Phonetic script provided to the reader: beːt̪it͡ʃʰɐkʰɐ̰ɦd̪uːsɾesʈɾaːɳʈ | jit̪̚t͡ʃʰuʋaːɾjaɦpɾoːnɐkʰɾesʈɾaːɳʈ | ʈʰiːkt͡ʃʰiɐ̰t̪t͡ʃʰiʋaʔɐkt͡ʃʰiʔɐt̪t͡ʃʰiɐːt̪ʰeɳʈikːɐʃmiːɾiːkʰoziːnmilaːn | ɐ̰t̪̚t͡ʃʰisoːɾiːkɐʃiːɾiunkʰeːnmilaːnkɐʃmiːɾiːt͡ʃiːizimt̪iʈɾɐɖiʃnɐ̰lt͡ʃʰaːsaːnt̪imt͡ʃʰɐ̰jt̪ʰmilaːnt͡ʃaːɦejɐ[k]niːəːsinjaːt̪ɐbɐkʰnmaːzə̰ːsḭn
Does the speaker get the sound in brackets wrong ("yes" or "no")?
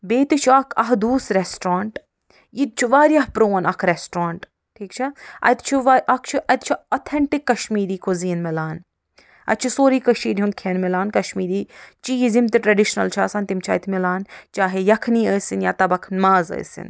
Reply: yes